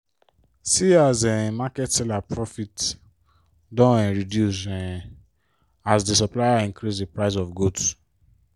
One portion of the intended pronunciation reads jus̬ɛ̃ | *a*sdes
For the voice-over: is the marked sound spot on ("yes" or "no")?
yes